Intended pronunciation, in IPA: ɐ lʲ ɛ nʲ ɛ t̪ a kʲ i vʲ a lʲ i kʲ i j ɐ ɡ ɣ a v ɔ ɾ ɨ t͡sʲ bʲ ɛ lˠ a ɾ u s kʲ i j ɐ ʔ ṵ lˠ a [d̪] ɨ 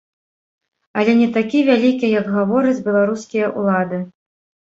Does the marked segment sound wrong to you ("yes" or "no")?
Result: no